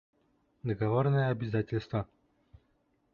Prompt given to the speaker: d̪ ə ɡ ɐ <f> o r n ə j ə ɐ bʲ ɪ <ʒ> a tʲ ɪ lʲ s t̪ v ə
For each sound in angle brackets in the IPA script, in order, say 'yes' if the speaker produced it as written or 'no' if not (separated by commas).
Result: no, no